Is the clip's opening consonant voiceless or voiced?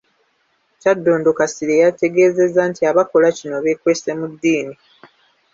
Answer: voiceless